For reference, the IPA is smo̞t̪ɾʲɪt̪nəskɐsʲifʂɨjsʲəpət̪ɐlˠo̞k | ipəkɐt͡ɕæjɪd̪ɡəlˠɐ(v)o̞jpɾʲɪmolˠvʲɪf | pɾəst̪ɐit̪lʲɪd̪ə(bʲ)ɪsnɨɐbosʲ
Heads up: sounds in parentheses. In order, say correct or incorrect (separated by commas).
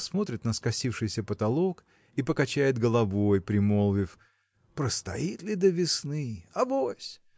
correct, incorrect